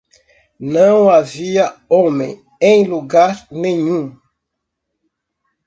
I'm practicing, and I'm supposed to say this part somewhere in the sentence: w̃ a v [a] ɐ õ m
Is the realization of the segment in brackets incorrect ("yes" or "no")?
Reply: yes